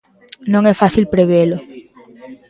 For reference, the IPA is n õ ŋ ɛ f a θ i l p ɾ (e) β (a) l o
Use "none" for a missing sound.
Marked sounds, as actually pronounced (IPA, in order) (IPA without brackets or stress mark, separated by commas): e, e